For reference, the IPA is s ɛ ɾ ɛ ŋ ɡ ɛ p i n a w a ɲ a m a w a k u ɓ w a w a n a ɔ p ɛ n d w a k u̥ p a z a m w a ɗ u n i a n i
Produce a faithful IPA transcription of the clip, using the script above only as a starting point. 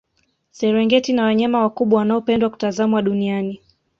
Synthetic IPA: s ɛ ɾ ɛ ŋ ɡ ɛ t i n a w a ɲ a m a w a k u ɓ w a w a n a ɔ p ɛ n d w a k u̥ t a z a m w a ɗ u n i a n i